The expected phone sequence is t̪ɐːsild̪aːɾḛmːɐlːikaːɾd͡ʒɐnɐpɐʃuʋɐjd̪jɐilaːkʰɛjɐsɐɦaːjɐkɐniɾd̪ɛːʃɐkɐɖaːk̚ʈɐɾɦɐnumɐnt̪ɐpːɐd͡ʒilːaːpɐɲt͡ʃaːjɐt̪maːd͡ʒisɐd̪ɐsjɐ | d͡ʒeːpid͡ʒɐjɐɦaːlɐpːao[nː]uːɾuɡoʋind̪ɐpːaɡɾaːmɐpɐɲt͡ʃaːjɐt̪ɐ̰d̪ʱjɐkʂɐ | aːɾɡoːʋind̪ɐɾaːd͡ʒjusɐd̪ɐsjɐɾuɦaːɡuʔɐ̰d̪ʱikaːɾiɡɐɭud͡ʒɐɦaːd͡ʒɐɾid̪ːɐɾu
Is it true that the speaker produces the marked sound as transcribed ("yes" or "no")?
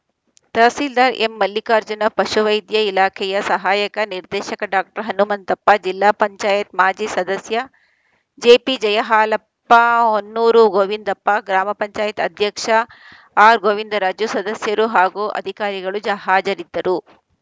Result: yes